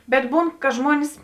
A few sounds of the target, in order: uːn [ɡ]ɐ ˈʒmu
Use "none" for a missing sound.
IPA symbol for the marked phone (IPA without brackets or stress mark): k